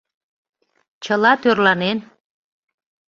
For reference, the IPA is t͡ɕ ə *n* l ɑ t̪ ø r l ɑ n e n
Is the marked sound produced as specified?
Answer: no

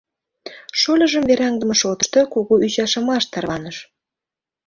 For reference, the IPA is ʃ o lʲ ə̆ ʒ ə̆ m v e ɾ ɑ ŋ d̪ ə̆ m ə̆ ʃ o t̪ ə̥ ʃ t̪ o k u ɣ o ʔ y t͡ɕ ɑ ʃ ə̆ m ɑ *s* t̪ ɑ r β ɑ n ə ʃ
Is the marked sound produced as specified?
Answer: no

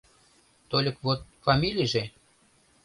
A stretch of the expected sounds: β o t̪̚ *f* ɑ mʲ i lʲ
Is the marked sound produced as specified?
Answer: yes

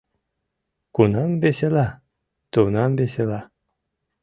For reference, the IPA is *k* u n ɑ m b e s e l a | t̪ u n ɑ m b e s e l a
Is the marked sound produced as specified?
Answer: yes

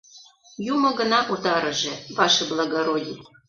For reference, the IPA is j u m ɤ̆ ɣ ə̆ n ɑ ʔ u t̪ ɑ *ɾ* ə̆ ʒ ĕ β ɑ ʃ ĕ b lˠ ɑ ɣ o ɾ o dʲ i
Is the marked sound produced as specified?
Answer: yes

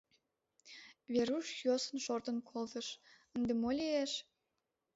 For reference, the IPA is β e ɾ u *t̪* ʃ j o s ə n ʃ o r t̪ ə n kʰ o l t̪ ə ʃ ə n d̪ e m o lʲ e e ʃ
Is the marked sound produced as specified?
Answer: no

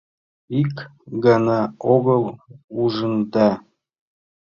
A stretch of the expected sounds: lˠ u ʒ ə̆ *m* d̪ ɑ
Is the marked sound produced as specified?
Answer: no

